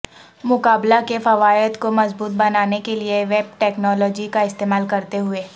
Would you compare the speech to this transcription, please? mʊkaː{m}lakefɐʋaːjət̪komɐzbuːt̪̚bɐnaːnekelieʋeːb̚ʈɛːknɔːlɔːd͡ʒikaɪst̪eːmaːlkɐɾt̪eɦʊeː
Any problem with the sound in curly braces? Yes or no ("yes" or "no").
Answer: yes